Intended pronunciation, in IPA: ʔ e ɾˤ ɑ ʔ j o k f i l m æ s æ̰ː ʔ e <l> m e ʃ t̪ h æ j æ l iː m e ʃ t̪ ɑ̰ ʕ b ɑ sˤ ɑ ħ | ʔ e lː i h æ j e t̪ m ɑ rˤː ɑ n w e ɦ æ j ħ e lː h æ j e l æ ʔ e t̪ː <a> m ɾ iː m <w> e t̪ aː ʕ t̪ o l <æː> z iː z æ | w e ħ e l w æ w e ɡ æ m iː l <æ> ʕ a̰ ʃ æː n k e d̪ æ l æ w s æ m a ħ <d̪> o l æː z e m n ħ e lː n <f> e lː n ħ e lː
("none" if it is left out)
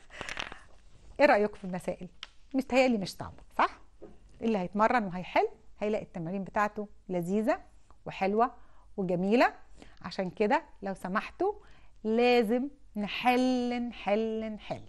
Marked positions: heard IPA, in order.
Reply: l, æ, b, æ, æ, t̪, ħ

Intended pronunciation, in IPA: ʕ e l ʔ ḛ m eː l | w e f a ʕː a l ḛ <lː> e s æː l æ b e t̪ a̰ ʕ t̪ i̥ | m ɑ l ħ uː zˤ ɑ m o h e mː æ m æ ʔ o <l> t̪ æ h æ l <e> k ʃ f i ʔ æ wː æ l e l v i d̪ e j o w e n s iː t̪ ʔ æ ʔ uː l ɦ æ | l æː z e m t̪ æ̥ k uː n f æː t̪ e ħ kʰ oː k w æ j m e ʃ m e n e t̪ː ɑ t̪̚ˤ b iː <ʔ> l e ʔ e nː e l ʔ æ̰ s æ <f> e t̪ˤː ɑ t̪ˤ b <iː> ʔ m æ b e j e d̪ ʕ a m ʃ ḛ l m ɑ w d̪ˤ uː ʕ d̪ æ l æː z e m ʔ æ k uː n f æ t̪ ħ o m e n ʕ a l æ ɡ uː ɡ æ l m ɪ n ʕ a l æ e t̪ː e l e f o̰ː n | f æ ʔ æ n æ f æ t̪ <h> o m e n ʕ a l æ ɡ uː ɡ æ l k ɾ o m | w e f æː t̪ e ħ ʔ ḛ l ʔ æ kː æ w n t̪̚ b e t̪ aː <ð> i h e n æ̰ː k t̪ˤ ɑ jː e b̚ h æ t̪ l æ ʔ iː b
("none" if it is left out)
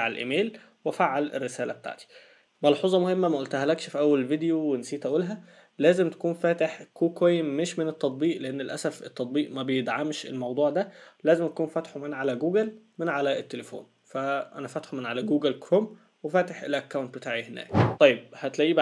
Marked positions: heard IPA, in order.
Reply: rː, l, æ, ʔ, f, iː, ħ, ʕ

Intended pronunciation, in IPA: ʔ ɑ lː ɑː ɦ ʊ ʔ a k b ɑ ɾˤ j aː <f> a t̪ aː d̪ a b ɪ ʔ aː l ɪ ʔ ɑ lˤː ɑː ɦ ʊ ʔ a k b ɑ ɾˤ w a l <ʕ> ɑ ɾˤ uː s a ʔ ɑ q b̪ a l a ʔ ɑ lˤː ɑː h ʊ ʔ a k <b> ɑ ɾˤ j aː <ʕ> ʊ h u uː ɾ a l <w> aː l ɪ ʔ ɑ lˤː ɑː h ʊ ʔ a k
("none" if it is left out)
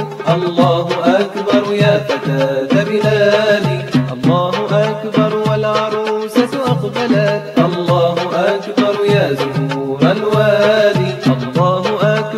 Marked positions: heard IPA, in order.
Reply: f, ʕ, b, z, w

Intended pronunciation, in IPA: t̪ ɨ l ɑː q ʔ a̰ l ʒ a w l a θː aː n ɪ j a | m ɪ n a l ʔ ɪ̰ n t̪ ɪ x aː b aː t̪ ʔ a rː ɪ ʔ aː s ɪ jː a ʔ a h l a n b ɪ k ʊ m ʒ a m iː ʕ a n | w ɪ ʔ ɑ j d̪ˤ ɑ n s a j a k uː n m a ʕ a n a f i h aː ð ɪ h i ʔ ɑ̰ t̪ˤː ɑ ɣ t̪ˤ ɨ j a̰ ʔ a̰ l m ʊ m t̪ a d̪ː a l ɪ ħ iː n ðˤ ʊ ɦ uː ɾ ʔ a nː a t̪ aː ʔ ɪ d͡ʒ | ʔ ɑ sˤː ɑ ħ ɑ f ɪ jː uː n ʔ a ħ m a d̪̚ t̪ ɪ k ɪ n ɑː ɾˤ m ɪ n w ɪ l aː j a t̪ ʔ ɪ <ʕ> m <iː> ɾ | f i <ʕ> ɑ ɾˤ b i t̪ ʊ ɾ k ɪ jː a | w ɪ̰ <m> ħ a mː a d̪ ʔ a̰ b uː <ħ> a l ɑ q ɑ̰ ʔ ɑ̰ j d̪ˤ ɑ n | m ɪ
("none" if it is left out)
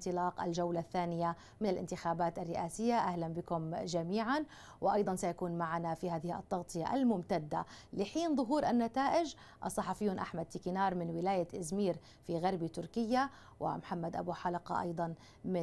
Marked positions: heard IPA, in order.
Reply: z, iː, ɣ, m, ħ

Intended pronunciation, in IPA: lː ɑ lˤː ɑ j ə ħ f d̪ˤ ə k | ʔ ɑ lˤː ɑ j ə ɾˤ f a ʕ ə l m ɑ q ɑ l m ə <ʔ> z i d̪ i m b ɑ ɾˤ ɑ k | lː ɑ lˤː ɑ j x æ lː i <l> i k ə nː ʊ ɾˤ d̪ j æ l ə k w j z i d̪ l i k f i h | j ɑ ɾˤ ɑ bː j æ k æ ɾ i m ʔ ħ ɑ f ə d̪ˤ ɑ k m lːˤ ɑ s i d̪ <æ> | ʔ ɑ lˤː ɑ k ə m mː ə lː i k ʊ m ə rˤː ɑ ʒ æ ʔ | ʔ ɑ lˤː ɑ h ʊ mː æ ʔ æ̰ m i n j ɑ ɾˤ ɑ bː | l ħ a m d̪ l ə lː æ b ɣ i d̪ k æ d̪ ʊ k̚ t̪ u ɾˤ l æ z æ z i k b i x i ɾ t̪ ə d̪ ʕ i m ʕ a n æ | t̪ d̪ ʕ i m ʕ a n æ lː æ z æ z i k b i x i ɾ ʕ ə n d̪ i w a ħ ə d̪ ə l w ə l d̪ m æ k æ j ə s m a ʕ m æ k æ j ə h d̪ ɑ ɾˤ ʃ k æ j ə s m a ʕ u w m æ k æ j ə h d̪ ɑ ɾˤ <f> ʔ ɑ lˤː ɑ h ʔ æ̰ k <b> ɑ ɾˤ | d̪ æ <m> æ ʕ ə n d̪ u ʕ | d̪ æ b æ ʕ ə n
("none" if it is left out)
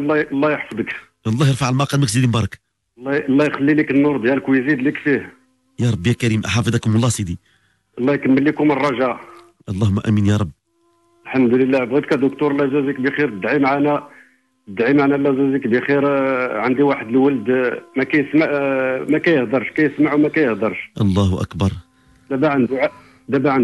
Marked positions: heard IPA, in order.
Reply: k, l, i, ʃ, b, b

